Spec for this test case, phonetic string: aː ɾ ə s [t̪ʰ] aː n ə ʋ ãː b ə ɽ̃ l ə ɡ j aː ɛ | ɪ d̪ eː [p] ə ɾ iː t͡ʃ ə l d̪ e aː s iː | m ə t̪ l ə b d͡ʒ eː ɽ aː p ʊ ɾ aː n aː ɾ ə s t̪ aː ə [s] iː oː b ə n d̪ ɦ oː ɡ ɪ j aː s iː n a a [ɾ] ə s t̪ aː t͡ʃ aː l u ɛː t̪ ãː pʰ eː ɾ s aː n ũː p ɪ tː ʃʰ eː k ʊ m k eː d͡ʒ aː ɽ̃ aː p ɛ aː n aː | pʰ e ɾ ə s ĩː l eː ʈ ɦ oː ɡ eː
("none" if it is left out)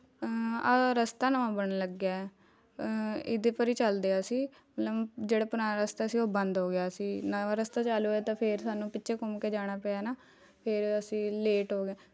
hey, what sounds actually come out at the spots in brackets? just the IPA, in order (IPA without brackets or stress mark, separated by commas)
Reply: t̪, p, s, ɾ